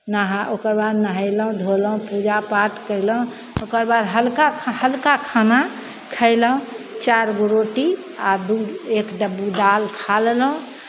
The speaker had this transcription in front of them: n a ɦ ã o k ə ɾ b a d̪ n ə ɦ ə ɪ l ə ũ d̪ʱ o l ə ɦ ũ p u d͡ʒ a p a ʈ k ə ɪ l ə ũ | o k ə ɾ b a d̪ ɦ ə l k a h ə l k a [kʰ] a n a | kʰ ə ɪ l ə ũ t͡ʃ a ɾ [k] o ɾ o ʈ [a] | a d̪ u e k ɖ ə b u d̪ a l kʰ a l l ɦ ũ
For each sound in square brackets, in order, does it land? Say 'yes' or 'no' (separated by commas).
yes, no, no